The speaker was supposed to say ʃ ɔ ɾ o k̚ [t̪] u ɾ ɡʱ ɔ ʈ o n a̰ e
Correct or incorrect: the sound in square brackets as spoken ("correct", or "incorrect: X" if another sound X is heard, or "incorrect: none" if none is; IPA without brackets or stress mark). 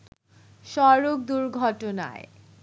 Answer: incorrect: d̪